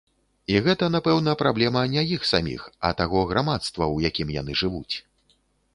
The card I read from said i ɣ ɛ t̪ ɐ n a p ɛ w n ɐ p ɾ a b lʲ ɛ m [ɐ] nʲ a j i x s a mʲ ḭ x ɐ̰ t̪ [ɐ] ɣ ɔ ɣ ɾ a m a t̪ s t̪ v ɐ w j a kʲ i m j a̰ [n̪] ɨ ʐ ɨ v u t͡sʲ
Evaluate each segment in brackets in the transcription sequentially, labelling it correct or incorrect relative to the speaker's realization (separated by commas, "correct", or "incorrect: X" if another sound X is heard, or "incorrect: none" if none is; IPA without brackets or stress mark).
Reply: correct, incorrect: a, correct